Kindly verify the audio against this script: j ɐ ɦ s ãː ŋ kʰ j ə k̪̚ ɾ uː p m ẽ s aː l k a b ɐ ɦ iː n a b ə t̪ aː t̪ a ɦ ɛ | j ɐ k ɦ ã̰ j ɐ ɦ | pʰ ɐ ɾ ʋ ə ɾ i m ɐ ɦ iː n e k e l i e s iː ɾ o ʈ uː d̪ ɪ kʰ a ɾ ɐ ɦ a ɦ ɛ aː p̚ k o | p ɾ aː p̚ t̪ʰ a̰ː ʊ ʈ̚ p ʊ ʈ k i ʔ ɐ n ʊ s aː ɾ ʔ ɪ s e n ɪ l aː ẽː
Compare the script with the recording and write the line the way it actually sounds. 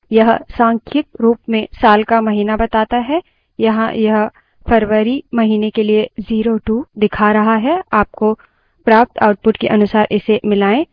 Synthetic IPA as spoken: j ɐ ɦ s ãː ŋ kʰ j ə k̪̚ ɾ uː p m ẽ s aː l k a m ɐ ɦ iː n a b ɐ t̪ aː t̪ a ɦ ɛ | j ɐ ɦ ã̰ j ɐ ɦ | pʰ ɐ ɾ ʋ ə ɾ i m ɐ ɦ iː n e k e l i e z iː ɾ o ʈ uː d̪ ɪ kʰ a ɾ ɐ ɦ a ɦ ɛ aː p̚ k o | p ɾ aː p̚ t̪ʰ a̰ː ʊ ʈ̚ p ʊ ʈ k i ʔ ɐ n ʊ s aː ɾ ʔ ɪ s e m ɪ l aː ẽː